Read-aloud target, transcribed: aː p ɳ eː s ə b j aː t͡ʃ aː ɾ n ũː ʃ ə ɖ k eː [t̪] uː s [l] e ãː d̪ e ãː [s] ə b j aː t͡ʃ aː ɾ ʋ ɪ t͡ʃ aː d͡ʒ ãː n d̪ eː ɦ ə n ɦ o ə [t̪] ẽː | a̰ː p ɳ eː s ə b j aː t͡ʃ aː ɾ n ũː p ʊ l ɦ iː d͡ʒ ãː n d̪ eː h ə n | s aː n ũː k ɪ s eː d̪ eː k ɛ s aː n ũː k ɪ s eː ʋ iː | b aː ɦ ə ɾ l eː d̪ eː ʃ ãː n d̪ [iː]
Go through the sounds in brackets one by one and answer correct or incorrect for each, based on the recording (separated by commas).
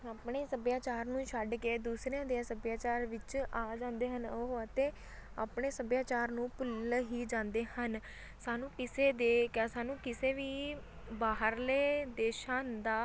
incorrect, incorrect, correct, correct, incorrect